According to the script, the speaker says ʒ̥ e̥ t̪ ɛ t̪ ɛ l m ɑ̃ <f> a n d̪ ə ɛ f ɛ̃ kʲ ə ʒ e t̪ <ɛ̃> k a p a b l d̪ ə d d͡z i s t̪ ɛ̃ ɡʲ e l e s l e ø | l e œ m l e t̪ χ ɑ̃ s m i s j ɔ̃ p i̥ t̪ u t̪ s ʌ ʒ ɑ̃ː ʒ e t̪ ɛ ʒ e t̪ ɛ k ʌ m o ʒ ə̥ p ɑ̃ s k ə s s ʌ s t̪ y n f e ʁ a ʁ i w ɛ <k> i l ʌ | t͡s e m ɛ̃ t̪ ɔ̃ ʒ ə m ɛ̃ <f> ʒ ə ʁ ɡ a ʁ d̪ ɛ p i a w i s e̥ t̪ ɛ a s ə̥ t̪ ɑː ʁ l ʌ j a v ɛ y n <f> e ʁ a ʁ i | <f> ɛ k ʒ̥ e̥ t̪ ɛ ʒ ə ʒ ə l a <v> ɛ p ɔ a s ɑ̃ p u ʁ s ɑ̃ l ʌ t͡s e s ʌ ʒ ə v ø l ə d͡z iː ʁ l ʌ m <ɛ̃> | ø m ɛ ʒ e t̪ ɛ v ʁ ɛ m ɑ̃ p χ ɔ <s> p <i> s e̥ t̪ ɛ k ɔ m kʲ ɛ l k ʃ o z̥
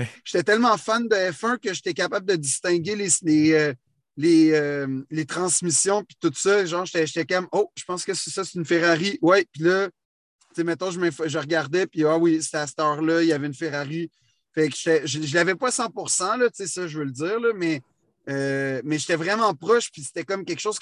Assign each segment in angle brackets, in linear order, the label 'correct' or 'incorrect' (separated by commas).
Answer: correct, incorrect, incorrect, correct, correct, correct, correct, incorrect, incorrect, correct